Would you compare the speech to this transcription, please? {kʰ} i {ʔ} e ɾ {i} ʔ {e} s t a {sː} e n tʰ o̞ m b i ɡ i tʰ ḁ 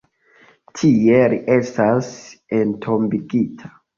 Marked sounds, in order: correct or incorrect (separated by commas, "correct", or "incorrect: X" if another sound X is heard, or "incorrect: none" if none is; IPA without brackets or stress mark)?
incorrect: tʰ, incorrect: none, correct, correct, incorrect: s